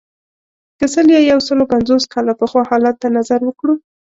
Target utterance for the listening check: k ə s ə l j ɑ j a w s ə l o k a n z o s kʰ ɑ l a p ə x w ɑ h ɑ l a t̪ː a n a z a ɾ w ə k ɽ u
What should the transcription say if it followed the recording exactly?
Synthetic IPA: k ə s ə l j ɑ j a w s ə l o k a n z o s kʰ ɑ l a p ə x w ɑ h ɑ l a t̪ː a n a z a ɾ w ə k ɽ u